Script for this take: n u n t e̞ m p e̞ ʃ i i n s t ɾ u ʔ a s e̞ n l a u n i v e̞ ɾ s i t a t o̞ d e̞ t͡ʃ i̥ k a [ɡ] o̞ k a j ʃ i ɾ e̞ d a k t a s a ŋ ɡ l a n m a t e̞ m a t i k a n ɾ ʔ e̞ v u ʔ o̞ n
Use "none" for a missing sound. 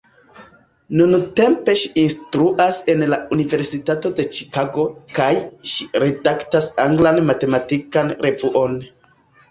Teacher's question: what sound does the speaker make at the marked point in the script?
ɡ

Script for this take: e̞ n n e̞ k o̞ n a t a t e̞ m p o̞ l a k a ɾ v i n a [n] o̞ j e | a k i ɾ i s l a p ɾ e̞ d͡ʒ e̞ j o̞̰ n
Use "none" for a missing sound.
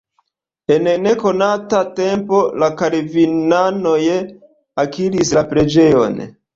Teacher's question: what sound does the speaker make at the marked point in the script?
n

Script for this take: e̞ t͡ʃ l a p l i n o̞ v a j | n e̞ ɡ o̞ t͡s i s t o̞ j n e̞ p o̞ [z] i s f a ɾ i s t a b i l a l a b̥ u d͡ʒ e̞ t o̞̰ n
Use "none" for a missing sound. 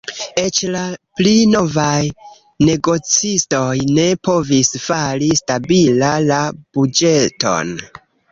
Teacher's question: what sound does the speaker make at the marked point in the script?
v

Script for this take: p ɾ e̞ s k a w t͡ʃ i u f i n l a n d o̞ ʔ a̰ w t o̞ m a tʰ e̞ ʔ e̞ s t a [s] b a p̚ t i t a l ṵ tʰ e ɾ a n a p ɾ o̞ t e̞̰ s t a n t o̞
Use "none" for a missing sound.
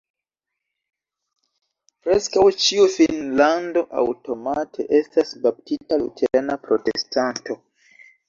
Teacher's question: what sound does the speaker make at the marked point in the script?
s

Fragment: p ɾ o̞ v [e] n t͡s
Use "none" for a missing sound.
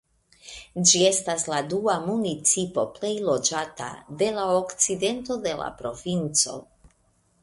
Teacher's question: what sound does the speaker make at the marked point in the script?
i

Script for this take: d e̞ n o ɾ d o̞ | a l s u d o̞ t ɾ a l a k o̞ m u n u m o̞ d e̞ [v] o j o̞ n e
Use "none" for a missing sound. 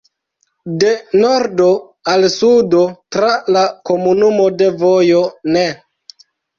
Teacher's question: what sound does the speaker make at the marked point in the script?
v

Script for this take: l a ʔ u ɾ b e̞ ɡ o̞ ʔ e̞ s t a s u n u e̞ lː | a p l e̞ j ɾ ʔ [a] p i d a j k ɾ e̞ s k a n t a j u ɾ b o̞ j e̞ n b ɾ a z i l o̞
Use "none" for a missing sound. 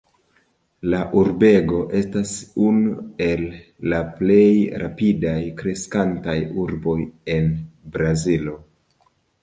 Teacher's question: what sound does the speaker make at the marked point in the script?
a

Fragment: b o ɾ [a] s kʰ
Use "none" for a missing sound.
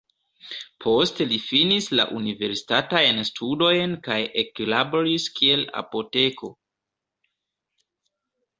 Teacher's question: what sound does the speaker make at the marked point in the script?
i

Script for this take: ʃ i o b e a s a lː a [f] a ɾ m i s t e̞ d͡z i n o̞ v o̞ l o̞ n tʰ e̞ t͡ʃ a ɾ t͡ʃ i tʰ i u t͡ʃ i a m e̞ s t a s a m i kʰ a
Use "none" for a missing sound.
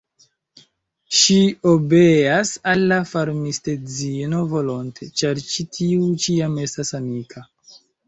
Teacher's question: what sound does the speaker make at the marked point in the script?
f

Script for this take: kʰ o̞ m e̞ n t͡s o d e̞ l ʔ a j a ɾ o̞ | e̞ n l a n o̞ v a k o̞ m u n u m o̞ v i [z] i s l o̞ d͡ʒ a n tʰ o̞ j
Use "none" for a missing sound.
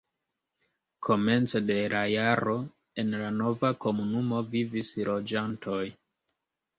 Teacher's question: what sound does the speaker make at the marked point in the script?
v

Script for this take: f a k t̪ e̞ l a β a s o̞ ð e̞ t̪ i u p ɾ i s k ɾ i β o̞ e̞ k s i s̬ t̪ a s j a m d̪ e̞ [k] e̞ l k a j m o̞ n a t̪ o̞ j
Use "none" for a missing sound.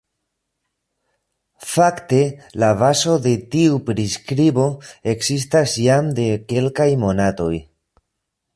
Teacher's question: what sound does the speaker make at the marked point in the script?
k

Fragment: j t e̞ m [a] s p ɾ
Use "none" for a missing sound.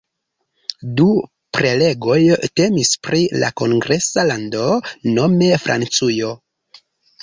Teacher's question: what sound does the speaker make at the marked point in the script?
i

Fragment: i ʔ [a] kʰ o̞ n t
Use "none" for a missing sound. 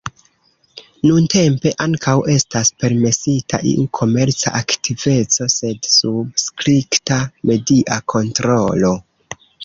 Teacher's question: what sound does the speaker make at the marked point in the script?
a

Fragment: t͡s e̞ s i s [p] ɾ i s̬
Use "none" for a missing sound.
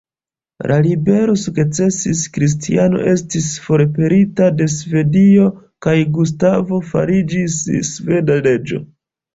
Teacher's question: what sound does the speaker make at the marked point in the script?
k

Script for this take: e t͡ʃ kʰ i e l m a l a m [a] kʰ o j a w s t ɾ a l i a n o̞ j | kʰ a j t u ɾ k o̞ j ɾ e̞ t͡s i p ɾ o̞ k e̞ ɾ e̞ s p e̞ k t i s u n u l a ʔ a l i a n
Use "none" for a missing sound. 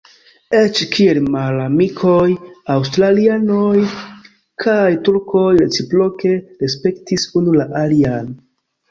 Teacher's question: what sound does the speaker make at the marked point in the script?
i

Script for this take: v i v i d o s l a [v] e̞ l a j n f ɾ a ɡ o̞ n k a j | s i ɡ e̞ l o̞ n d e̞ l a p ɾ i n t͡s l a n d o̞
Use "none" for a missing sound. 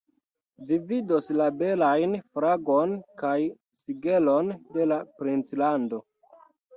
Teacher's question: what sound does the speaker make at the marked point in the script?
b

